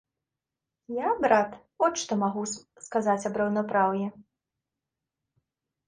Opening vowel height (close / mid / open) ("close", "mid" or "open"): open